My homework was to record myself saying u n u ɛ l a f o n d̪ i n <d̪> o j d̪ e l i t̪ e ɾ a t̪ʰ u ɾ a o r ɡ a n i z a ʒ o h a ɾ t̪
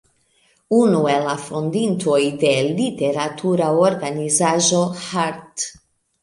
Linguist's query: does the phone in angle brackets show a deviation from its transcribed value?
yes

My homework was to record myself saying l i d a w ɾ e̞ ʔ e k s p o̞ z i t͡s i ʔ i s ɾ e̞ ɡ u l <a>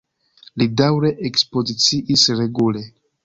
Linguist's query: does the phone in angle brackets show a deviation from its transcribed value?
yes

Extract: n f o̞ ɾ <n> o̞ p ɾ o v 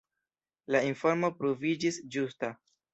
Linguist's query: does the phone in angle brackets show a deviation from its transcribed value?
yes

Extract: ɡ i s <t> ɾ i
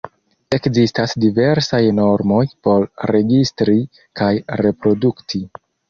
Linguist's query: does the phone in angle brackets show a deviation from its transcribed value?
no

